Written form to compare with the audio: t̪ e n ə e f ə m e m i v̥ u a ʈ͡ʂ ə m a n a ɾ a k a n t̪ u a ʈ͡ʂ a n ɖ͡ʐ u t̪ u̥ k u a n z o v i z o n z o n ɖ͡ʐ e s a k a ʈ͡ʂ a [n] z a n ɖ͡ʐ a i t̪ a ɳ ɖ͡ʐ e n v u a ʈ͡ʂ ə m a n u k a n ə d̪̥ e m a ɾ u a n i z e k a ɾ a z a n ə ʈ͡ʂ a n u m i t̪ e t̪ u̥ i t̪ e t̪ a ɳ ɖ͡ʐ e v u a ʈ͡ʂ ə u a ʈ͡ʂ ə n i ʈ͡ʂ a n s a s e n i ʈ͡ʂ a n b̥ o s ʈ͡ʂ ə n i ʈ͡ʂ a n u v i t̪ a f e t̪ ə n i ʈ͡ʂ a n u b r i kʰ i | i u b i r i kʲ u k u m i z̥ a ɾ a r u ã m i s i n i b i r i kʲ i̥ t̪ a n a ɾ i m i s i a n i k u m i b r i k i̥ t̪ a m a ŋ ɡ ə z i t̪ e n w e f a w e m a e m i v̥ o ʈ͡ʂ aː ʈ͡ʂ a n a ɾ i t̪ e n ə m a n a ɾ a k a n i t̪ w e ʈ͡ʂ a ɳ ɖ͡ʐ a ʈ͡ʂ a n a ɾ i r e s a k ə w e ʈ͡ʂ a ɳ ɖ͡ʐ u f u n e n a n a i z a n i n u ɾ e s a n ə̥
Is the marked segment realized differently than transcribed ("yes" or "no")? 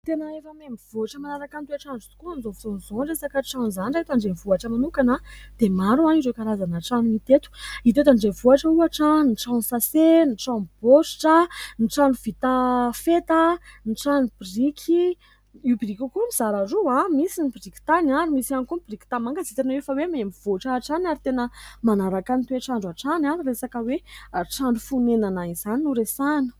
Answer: no